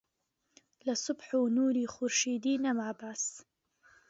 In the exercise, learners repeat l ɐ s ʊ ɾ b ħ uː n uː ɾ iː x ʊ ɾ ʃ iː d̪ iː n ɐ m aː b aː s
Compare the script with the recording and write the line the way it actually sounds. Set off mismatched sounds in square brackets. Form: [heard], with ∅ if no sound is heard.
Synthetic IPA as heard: l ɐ s ʊ [∅] b ħ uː n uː ɾ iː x ʊ ɾ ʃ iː d̪ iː n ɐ m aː b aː s